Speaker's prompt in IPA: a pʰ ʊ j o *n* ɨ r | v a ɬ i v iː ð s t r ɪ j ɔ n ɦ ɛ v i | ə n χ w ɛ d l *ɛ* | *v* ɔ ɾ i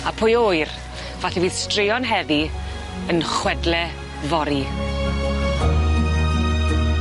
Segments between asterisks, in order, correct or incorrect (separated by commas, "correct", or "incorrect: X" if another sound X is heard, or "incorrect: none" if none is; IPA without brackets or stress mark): incorrect: none, correct, correct